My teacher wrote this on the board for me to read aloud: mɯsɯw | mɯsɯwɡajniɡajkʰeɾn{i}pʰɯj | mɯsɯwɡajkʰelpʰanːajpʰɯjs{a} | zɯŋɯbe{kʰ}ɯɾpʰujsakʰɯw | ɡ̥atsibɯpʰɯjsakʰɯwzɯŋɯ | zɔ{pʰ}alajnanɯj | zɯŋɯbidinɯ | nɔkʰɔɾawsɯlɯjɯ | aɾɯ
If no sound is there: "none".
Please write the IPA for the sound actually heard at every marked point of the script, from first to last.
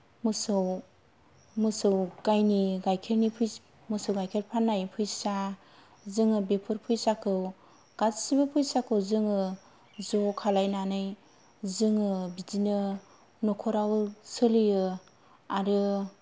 i, a, pʰ, kʰ

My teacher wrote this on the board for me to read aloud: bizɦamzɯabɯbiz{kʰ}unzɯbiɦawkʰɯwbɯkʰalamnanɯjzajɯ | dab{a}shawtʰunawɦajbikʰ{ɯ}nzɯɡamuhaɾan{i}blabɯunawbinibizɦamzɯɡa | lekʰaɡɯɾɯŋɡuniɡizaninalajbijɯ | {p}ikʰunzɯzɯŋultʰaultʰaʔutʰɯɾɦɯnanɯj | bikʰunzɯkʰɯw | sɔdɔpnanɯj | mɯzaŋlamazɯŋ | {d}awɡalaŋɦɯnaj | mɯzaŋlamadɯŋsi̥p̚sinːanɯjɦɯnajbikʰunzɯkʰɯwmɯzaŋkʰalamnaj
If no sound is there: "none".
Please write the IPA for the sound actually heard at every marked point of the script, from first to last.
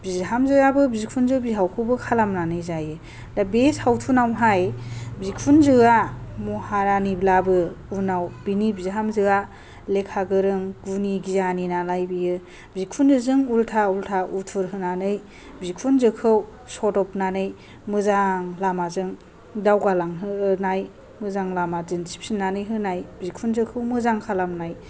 kʰ, e, u, i, b, d

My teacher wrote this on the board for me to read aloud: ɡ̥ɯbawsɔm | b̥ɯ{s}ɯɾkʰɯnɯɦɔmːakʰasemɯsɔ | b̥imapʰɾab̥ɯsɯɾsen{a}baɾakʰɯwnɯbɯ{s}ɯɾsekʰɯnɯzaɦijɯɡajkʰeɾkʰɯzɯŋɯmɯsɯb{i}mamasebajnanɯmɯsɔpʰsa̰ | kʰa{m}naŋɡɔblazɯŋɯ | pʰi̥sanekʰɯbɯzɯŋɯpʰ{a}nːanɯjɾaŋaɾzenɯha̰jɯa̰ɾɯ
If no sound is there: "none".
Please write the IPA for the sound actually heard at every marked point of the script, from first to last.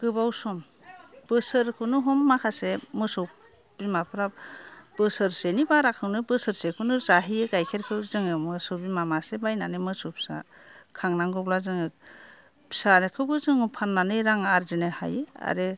s, i, s, i, ŋ, a

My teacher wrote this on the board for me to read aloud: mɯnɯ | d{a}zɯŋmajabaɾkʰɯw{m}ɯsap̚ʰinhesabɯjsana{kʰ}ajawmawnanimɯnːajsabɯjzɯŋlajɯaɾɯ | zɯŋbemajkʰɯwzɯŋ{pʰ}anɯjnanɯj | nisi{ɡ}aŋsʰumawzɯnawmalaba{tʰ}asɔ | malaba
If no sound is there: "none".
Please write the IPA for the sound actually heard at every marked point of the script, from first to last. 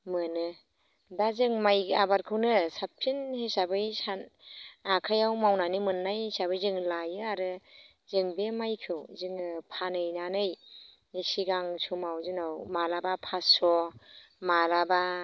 a, n, kʰ, pʰ, ɡ, pʰ

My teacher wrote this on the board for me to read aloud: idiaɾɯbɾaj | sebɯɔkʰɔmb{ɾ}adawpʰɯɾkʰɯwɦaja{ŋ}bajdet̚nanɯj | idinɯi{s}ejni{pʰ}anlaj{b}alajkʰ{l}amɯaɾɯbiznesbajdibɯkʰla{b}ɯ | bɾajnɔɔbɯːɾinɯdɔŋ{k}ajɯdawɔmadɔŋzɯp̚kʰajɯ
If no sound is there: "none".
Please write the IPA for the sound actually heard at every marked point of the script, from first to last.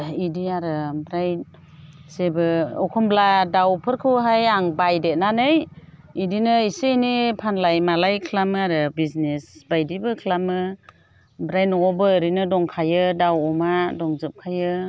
l, ŋ, s, pʰ, m, l, m, kʰ

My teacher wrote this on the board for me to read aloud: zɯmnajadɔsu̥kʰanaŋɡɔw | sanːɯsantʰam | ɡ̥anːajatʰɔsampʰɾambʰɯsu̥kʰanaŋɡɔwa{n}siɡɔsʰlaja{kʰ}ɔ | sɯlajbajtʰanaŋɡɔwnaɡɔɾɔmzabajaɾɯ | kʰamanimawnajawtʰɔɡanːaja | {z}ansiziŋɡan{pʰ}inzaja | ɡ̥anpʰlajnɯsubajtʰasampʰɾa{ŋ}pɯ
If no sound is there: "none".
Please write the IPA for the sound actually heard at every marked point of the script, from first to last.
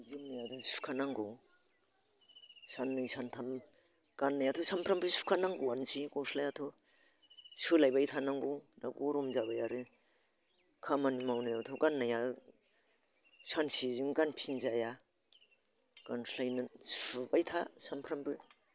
n, tʰ, s, pʰ, m

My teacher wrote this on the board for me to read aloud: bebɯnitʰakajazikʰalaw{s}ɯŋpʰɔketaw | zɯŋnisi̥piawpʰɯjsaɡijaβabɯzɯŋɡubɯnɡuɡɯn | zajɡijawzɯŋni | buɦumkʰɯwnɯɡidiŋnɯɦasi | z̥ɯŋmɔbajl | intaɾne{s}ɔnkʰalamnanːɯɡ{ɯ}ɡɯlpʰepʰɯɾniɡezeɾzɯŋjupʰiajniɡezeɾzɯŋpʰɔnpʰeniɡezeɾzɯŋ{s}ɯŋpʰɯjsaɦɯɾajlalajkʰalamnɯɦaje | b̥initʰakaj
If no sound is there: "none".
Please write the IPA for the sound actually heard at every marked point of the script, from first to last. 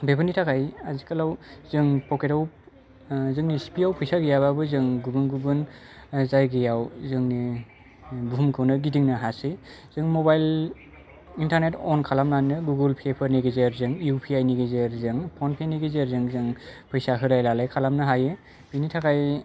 z, t, u, z

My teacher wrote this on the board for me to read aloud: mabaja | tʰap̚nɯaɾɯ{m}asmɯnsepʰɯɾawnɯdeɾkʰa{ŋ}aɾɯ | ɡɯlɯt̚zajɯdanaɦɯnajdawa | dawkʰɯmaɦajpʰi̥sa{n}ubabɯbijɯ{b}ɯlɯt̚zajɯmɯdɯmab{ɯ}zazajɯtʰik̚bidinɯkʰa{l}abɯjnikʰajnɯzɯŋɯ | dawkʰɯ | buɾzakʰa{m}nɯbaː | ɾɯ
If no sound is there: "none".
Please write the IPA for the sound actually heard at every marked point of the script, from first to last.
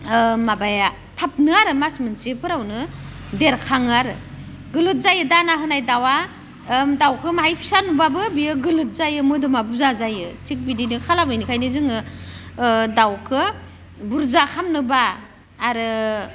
m, ŋ, n, ɡ, u, l, m

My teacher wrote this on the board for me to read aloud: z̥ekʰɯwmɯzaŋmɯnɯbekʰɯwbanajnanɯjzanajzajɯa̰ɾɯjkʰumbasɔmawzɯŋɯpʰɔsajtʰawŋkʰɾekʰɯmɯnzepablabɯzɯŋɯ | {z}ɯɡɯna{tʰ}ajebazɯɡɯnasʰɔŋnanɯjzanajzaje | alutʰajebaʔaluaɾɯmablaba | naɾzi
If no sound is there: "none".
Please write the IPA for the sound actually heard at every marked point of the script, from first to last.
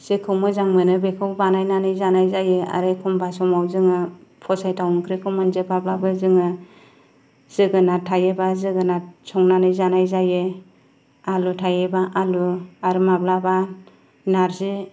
z, tʰ

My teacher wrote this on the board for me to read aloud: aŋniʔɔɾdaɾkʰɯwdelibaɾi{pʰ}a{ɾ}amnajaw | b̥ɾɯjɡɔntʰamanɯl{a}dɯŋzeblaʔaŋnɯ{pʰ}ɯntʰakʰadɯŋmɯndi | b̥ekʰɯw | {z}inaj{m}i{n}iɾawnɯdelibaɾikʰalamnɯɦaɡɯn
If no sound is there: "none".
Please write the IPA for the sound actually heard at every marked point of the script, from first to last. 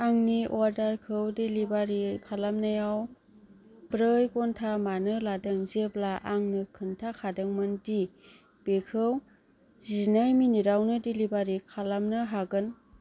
kʰ, l, a, kʰ, z, m, n

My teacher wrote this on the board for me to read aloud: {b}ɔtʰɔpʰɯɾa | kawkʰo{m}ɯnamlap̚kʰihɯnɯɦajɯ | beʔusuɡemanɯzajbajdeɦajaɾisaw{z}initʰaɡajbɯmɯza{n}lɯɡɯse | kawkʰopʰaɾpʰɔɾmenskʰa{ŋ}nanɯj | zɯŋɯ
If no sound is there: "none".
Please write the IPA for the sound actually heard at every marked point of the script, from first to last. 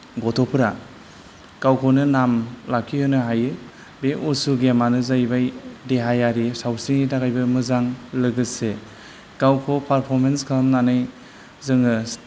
ɡ, n, s, ŋ, m

